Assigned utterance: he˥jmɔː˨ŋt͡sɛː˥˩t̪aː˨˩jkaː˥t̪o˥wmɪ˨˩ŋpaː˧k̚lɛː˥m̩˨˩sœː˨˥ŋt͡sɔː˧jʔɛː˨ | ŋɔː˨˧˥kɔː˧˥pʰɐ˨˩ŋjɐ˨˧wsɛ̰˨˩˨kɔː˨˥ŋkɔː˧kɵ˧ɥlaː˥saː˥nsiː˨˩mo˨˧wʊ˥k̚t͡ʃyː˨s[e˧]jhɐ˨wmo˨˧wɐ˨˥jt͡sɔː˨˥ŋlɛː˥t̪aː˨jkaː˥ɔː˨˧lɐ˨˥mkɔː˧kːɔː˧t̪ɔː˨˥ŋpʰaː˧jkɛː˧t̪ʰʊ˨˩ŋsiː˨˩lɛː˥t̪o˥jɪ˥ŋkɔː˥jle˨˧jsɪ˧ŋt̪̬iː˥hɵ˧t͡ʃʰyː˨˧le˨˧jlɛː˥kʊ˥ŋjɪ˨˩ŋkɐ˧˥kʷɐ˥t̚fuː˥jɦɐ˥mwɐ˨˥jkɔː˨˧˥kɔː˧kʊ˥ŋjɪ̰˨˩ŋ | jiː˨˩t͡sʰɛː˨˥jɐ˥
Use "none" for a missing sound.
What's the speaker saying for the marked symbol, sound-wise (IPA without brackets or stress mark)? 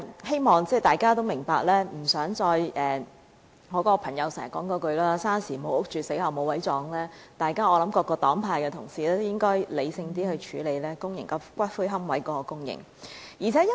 e˨˥